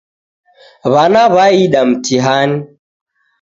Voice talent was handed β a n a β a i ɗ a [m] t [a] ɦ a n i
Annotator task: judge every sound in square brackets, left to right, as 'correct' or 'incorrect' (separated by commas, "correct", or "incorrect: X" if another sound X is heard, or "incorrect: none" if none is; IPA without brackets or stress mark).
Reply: correct, incorrect: i